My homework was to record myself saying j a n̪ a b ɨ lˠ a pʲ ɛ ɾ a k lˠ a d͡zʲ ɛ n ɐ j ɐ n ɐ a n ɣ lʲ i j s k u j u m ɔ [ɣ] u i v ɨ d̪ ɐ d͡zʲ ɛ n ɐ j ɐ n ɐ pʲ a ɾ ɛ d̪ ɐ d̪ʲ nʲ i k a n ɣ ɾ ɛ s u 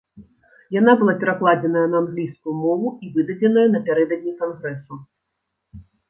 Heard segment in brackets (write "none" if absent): v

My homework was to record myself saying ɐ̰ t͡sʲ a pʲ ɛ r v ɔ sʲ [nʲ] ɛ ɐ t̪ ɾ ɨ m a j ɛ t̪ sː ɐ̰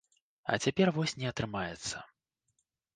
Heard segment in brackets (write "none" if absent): nʲ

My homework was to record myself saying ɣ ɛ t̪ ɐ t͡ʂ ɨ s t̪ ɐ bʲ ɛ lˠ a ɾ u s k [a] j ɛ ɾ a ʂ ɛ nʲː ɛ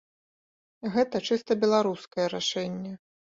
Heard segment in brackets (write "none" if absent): ɐ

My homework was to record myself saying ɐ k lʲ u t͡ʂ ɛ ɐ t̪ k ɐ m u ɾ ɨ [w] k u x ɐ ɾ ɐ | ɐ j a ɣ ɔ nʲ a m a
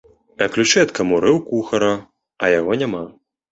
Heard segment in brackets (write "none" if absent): w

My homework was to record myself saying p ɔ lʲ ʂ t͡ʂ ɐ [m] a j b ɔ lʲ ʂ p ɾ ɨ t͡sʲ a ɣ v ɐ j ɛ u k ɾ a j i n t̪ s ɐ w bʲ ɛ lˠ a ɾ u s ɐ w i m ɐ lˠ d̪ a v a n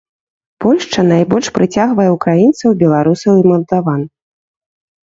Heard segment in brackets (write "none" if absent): n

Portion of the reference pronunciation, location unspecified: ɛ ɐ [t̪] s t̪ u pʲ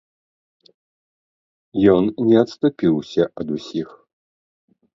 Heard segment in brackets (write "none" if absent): t̪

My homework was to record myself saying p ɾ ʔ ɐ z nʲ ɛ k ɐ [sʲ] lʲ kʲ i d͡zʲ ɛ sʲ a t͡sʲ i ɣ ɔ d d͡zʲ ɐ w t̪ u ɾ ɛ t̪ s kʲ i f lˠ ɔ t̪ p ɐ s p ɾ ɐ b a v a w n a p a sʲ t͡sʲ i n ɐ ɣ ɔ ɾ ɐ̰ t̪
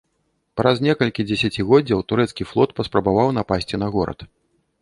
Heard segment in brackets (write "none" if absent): none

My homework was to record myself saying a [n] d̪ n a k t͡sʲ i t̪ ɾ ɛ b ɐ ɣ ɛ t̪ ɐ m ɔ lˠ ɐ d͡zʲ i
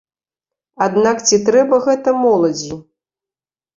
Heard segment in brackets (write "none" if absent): none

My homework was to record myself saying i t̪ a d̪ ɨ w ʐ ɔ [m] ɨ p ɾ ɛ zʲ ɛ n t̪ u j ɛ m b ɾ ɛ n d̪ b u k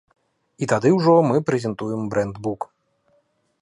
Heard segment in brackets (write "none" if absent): m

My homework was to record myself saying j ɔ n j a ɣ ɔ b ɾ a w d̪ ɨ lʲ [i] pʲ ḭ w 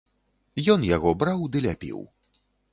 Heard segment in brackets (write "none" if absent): a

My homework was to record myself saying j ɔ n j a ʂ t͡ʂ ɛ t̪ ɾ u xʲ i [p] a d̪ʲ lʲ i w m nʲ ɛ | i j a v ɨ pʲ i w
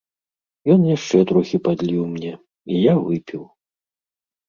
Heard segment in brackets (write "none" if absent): p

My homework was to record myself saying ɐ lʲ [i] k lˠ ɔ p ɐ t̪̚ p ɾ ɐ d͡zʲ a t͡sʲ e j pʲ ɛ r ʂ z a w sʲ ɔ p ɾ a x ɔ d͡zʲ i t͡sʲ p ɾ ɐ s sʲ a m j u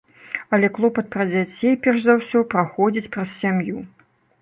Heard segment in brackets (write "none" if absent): ɛ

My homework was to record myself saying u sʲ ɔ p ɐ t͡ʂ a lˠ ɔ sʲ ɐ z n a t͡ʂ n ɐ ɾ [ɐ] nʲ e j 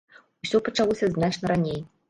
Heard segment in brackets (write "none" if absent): a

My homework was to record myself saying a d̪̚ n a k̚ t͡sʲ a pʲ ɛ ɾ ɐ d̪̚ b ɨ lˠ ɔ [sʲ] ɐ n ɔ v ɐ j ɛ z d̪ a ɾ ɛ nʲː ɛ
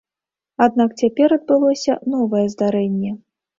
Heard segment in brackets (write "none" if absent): sʲ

